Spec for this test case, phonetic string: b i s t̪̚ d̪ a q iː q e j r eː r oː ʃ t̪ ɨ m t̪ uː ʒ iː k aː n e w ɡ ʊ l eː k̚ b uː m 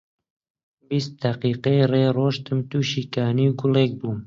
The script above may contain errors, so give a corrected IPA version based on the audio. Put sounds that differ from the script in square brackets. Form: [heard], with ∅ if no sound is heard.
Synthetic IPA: b i s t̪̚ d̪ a q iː q e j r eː r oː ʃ t̪ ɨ m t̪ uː [ʃ] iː k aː n [i] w ɡ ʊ l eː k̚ b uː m